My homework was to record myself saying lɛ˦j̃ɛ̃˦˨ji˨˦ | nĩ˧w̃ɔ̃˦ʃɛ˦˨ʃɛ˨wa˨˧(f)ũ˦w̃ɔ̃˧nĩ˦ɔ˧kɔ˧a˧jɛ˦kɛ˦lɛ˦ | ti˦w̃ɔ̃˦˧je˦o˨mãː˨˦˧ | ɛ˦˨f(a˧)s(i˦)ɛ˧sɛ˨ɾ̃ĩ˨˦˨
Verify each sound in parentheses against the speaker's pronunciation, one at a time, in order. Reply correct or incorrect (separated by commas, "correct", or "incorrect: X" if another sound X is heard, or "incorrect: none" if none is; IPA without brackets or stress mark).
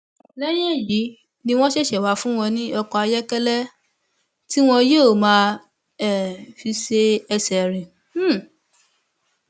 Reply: correct, incorrect: i˧, incorrect: e˦